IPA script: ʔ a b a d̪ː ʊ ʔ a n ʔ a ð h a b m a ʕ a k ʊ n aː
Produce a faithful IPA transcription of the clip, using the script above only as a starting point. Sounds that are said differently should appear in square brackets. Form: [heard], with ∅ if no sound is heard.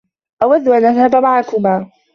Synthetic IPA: ʔ a [w] a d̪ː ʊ ʔ a n ʔ a ð h a b m a ʕ a k ʊ [m] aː